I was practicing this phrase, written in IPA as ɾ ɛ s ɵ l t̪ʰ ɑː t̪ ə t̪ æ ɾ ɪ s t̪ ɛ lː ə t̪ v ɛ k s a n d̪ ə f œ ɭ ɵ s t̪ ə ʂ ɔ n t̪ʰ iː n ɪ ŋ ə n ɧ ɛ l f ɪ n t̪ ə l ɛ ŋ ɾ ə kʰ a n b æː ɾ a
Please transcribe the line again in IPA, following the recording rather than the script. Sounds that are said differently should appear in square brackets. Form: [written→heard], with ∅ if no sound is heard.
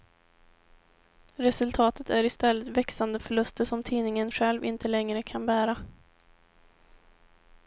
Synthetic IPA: ɾ ɛ s ɵ l t̪ʰ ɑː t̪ ə t̪ æ ɾ ɪ s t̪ ɛ lː ə t̪ v ɛ k s a n d̪ ə f œ ɭ ɵ s t̪ ə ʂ ɔ [n→m] t̪ʰ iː n ɪ ŋ ə n ɧ ɛ l [f→v] ɪ n t̪ ə l ɛ ŋ ɾ ə kʰ a n b æː ɾ a